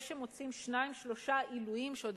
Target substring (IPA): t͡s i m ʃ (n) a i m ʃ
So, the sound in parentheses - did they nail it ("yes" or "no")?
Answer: yes